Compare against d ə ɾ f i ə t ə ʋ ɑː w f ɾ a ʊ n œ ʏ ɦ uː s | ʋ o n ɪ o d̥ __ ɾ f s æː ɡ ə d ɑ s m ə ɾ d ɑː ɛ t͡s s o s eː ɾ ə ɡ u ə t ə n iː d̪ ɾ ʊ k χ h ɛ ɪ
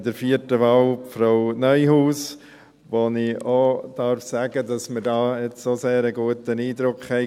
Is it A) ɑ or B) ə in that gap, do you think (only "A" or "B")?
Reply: A